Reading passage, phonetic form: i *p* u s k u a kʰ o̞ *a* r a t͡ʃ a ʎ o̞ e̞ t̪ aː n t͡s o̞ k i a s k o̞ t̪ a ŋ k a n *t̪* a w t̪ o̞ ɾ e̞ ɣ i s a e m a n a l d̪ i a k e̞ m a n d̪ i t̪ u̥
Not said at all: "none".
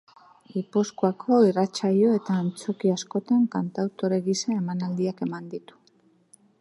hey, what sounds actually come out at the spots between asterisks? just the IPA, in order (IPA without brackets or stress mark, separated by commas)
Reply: p, i, t̪